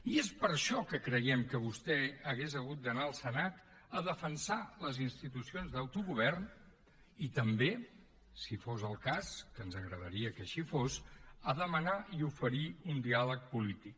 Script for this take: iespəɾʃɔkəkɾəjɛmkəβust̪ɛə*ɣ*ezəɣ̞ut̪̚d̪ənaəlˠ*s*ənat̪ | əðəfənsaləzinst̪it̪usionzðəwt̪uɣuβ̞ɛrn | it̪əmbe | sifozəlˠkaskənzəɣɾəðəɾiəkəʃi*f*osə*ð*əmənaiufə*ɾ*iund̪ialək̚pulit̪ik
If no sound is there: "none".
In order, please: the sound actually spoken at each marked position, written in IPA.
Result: ɣ, s, f, ð, ɾ

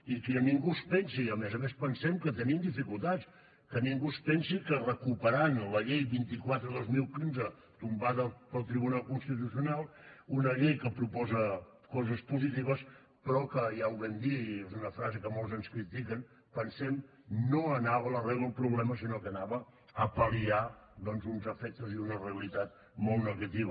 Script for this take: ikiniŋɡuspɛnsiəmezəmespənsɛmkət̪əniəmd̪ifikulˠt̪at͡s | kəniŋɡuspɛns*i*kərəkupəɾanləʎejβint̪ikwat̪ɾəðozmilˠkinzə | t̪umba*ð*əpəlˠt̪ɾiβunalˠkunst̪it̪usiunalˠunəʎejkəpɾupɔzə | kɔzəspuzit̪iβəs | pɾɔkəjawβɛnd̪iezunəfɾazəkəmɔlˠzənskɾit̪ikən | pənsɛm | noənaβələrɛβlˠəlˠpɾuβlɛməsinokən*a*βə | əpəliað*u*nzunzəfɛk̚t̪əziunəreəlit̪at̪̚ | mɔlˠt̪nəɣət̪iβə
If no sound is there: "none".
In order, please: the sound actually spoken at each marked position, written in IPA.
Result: i, ð, a, ɔ

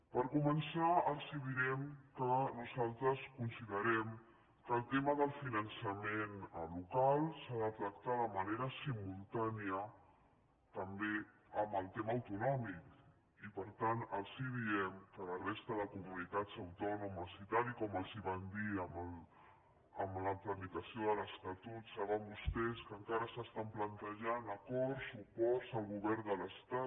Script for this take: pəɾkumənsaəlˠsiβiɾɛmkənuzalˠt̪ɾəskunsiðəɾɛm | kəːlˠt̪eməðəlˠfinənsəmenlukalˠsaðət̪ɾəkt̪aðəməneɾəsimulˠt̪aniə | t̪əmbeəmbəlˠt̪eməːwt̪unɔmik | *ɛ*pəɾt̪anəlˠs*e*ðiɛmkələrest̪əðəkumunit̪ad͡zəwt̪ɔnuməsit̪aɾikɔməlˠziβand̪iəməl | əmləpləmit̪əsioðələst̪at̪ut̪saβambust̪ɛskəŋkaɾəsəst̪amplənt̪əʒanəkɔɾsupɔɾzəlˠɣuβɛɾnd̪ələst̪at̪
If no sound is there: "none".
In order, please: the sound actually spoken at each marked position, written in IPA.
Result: i, i

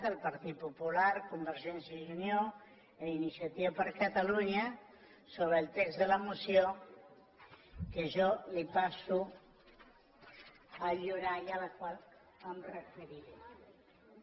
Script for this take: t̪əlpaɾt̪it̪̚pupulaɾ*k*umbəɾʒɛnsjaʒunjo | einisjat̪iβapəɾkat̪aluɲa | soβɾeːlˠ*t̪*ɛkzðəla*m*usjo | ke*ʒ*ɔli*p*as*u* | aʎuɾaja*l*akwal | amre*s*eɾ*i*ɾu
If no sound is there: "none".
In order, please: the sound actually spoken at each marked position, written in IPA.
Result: k, t̪, m, ʒ, p, u, l, f, i

